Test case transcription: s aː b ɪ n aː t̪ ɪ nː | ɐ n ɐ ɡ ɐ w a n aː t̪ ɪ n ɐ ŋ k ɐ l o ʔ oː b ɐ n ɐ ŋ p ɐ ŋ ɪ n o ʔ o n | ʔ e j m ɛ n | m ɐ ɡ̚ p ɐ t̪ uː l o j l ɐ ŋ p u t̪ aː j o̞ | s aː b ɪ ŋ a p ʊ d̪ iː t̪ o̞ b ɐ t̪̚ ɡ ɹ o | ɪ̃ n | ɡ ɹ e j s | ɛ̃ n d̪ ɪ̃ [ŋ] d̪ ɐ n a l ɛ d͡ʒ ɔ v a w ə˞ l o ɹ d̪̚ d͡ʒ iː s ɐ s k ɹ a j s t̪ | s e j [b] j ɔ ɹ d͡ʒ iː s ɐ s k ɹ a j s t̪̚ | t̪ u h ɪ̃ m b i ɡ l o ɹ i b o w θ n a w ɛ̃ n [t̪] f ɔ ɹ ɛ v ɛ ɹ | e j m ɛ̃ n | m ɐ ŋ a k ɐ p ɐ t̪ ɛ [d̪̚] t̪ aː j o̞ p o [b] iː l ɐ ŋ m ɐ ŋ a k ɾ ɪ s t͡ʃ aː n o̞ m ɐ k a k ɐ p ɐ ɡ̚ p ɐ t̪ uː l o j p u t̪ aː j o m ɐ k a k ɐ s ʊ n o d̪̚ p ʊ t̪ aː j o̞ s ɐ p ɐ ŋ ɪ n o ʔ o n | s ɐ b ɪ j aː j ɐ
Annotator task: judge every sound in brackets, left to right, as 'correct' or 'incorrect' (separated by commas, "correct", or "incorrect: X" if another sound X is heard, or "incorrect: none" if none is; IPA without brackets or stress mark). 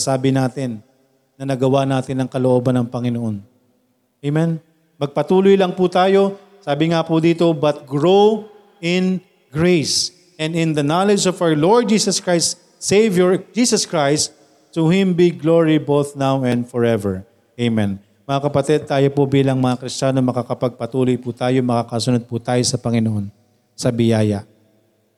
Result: incorrect: n, incorrect: v, incorrect: d̪, correct, correct